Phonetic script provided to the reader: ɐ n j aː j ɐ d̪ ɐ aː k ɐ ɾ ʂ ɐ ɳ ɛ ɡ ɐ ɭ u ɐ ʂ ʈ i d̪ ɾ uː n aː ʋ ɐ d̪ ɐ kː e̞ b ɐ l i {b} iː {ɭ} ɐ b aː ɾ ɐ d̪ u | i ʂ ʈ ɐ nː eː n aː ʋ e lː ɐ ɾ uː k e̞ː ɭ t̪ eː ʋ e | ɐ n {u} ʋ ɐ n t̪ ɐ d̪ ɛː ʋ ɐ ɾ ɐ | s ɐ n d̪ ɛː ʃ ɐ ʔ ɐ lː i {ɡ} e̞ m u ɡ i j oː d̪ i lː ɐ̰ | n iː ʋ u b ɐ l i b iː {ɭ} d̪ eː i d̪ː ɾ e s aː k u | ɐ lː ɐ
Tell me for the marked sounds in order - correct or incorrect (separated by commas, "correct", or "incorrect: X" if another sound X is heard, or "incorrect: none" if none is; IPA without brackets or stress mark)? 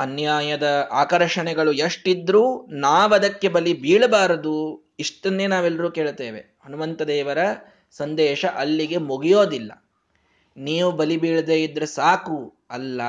correct, correct, correct, correct, correct